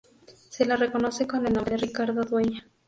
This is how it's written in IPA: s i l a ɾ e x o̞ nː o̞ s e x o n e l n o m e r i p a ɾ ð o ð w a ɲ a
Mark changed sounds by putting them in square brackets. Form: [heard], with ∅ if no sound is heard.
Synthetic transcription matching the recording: s [e] l a [r] e [k] o̞ [n] o̞ s e [k] o n e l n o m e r i [k] a ɾ ð o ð w [e] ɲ a

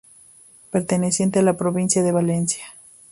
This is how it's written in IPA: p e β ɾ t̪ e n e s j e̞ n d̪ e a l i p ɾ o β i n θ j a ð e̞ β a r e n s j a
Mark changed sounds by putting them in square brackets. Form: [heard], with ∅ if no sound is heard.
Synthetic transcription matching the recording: p e [∅] ɾ t̪ e n e s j e̞ n [t̪] e a l [a] p ɾ o β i n [s] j a ð e̞ β a [l] e n s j a

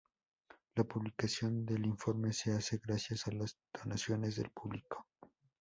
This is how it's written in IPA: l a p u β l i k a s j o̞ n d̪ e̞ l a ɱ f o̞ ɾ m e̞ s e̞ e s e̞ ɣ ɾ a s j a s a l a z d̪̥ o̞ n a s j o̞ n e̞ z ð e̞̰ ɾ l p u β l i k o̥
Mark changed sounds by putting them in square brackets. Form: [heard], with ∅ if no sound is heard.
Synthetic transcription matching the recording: l a p u β l i k a s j o̞ n d̪ e̞ l [i] ɱ f o̞ ɾ m e̞ s e̞ [a] s e̞ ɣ ɾ a s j a s a l a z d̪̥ o̞ n a s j o̞ n e̞ z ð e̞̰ [∅] l p u β l i k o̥

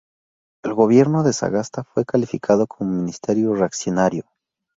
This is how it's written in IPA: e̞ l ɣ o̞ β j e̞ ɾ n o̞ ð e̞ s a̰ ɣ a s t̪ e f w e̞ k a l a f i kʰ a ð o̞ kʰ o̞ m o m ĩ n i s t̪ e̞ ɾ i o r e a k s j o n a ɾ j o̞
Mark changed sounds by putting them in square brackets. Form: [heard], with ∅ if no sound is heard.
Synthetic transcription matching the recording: e̞ l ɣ o̞ β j e̞ ɾ n o̞ ð e̞ s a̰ ɣ a s t̪ [a] f w e̞ k a l [i] f i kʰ a ð o̞ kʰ o̞ m o m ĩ n i s t̪ e̞ ɾ [j] o r e a k s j o n a ɾ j o̞

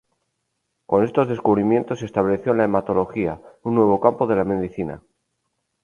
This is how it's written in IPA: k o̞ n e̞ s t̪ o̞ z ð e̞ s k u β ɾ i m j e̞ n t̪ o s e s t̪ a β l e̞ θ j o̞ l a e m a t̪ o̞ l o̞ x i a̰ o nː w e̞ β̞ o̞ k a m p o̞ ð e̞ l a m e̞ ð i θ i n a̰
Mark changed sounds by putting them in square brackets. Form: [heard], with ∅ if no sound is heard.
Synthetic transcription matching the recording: k o̞ n e̞ s t̪ o̞ z ð e̞ s k u β ɾ i m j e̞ n t̪ o s e s t̪ a β l e̞ θ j o̞ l a e m a t̪ o̞ l o̞ x i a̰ [u] nː w e̞ β̞ o̞ k a m p o̞ ð e̞ l a m e̞ ð i θ i n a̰

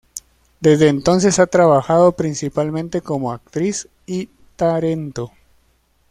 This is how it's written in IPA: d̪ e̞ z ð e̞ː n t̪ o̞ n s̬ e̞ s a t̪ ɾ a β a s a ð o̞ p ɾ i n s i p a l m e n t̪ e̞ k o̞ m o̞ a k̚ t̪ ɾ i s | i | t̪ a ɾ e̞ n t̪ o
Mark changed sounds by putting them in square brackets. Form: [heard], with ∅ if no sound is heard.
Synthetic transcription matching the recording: d̪ e̞ z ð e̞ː n t̪ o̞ n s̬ e̞ s a t̪ ɾ a β a [x] a ð o̞ p ɾ i n s i p a l m [ẽ] n t̪ e̞ k o̞ m o̞ a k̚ t̪ ɾ i s | i | t̪ a ɾ e̞ n t̪ o

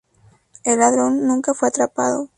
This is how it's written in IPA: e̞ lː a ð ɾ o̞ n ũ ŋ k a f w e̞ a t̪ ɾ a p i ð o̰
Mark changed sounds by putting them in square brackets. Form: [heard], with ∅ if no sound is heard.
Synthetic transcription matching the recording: e̞ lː a ð ɾ o̞ [nː] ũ ŋ k a f w e̞ a t̪ ɾ a p [a] ð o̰

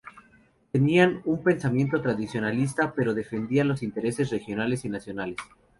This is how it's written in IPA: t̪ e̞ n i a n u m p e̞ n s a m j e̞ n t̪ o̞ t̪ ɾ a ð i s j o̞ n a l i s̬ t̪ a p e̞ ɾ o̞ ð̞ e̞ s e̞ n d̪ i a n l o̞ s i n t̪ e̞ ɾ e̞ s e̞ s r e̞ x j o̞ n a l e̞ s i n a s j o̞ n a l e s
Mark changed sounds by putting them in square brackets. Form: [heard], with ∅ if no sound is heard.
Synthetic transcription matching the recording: t̪ e̞ n i a n u m p e̞ n s a m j e̞ n t̪ o̞ t̪ ɾ a ð i s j o̞ n a l i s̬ t̪ a p e̞ ɾ o̞ ð̞ e̞ [f] e̞ n d̪ i a n l o̞ s i n t̪ e̞ ɾ e̞ s e̞ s r e̞ x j o̞ n a l e̞ s i n a s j o̞ n a l e s

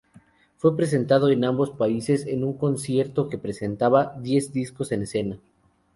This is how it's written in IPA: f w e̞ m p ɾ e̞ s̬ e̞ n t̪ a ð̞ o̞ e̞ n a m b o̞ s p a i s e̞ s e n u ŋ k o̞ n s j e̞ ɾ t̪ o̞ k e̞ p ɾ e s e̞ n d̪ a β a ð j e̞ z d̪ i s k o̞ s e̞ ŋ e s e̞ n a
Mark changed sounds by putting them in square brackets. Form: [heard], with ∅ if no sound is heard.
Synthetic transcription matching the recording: f w e̞ [∅] p ɾ e̞ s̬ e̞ n t̪ a ð̞ o̞ e̞ n a m b o̞ s p a i s e̞ s e n u ŋ k o̞ n s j e̞ ɾ t̪ o̞ k e̞ p ɾ e s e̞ n [t̪] a β a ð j e̞ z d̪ i s k o̞ s e̞ [n] e s e̞ n a

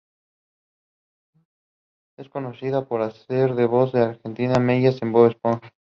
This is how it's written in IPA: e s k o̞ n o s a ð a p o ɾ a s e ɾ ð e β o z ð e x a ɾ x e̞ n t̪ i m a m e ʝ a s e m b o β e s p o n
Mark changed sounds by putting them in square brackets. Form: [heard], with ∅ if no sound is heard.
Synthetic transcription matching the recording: e s k o̞ n o s [i] ð a p o ɾ a s e ɾ ð e β o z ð e [∅] a ɾ x e̞ n t̪ i [n] a m e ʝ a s e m b o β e s p o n

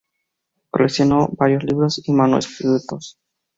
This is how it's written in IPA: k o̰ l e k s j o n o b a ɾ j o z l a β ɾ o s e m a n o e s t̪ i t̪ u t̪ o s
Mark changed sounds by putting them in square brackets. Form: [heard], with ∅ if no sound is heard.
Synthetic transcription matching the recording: k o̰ l e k s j o n o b a ɾ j o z l [i] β ɾ o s [i] m a n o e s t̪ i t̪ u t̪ o s

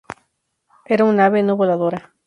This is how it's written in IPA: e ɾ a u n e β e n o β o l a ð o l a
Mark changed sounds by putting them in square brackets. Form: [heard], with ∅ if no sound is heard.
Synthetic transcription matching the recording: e ɾ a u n [a] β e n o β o l a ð o [ɾ] a

